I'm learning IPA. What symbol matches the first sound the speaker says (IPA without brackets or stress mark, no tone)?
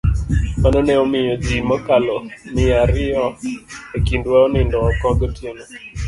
m